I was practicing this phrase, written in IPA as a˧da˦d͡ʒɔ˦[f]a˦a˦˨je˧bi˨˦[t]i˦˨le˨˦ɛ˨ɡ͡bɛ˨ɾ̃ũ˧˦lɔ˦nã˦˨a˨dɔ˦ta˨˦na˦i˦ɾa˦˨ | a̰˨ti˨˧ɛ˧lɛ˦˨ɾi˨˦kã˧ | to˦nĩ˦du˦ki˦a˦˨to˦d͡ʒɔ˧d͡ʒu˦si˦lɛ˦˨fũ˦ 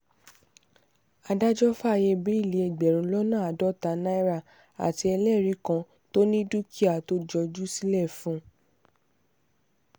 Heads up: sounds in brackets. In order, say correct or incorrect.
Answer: correct, incorrect: none

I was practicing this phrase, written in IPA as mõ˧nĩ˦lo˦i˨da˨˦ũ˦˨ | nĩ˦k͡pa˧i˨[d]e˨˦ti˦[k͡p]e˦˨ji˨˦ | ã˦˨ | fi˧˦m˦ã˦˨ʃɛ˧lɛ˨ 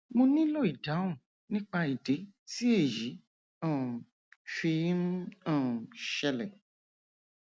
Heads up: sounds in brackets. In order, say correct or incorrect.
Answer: correct, incorrect: none

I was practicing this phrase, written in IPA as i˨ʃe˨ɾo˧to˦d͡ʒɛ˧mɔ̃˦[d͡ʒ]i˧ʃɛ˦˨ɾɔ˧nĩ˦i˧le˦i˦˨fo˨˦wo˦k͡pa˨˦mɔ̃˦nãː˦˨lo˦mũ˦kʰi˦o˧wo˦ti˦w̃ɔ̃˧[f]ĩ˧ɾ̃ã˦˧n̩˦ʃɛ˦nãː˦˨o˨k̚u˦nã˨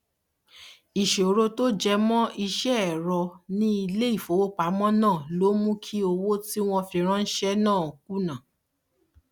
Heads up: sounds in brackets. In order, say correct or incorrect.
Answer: incorrect: none, correct

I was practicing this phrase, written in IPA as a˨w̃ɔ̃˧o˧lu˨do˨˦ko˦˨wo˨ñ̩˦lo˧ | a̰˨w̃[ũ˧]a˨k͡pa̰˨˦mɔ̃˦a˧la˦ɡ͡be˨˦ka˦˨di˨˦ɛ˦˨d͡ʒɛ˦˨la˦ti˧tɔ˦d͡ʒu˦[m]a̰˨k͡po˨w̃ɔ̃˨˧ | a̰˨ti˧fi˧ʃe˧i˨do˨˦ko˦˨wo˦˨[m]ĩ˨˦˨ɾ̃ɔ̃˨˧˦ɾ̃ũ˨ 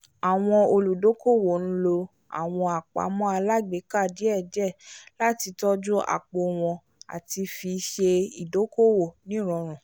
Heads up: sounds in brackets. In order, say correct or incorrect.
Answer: incorrect: ɔ̃˧, incorrect: none, incorrect: n

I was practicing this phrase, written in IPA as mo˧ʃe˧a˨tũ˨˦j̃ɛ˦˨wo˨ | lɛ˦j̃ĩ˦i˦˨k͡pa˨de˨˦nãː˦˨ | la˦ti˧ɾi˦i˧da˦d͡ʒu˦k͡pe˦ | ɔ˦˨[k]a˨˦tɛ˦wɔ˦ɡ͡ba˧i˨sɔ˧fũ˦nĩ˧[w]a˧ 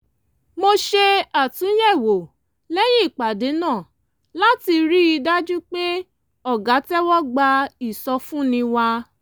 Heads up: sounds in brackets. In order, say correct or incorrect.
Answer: incorrect: ɡ, correct

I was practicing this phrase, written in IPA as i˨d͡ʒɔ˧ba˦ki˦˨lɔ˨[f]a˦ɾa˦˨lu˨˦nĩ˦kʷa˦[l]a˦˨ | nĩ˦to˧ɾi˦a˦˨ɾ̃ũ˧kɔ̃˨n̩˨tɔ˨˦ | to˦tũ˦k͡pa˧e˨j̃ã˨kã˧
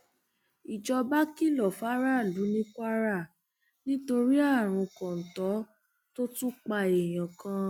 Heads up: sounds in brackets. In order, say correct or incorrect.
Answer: correct, incorrect: ɾ

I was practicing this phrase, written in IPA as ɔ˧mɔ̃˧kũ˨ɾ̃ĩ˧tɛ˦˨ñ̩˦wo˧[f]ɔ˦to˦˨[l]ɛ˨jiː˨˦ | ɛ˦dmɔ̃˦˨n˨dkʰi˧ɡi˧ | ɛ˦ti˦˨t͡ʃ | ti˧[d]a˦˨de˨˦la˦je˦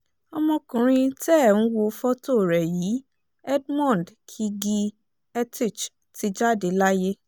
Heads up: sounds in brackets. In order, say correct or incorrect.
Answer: correct, incorrect: ɾ, incorrect: d͡ʒ

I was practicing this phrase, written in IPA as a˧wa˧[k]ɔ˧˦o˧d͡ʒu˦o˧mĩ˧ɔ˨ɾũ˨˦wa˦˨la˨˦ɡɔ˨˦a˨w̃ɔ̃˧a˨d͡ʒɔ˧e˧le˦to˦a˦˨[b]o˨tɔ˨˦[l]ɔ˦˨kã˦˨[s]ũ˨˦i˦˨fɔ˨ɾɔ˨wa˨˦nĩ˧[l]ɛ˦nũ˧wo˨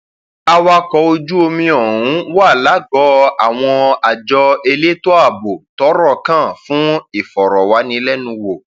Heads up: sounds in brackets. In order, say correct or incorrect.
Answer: correct, correct, incorrect: ɾ, incorrect: f, correct

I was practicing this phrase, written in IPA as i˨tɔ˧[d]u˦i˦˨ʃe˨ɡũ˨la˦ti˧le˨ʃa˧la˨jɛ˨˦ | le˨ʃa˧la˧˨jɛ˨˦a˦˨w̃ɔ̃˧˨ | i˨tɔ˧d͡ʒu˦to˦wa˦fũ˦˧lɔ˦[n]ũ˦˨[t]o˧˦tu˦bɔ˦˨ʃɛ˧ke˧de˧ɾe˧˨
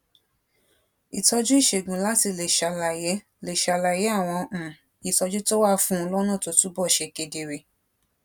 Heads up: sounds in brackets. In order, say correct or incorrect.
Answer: incorrect: d͡ʒ, correct, correct

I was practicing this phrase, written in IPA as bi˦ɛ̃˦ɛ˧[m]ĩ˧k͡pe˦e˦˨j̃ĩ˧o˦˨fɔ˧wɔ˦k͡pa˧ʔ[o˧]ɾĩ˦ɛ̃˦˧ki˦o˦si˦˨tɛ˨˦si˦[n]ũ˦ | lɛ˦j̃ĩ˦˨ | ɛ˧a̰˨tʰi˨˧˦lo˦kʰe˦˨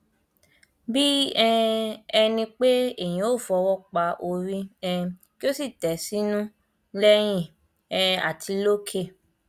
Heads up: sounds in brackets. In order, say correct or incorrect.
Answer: incorrect: n, correct, correct

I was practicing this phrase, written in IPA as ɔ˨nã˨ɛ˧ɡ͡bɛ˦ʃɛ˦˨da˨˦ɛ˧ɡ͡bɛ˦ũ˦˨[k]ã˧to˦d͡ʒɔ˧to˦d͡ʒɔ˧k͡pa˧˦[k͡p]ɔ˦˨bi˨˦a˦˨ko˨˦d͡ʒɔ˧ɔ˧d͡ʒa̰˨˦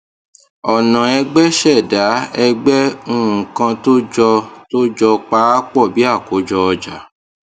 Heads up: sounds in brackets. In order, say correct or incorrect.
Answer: correct, correct

